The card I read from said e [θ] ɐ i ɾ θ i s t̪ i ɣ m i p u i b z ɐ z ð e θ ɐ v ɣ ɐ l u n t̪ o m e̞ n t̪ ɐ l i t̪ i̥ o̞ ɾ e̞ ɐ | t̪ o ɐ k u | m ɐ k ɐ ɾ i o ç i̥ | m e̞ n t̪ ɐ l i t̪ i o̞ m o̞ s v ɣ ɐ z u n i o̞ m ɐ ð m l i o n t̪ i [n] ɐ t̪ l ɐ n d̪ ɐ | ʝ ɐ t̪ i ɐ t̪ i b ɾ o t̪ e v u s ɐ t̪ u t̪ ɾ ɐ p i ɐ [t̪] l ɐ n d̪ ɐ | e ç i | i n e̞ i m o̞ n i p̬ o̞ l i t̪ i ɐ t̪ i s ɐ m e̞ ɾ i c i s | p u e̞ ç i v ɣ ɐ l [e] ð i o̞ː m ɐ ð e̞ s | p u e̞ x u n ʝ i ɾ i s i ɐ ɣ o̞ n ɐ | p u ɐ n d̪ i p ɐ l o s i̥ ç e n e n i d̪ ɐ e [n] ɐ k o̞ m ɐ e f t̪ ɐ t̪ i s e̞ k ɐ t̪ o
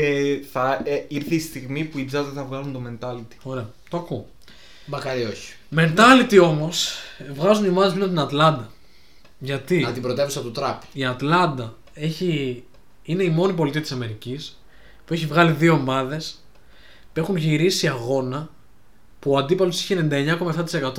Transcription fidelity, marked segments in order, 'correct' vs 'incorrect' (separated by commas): correct, correct, correct, incorrect, incorrect